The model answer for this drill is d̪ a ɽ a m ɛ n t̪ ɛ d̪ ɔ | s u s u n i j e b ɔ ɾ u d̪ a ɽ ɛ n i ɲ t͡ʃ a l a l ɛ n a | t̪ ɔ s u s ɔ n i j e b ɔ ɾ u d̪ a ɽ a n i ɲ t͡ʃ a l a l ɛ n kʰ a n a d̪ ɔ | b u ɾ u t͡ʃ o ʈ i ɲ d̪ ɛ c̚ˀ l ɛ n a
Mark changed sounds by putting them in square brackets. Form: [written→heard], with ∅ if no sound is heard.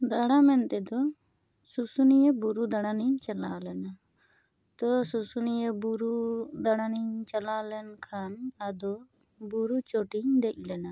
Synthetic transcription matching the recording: d̪ a ɽ a m ɛ n t̪ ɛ d̪ ɔ | s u s u n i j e b [ɔ→u] ɾ u d̪ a ɽ [ɛ→a] n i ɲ t͡ʃ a l a l ɛ n a | t̪ ɔ s u s [ɔ→u] n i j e b [ɔ→u] ɾ u d̪ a ɽ a n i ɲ t͡ʃ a l a l ɛ n kʰ a n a d̪ ɔ | b u ɾ u t͡ʃ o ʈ i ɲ d̪ ɛ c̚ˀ l ɛ n a